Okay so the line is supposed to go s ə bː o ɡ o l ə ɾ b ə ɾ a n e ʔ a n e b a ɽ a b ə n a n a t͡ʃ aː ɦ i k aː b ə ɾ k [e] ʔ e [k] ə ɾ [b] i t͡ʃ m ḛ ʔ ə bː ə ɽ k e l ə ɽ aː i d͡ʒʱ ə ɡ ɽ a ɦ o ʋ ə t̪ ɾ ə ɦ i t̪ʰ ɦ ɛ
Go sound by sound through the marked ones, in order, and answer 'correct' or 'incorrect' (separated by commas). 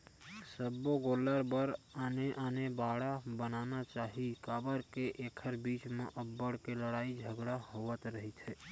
correct, incorrect, correct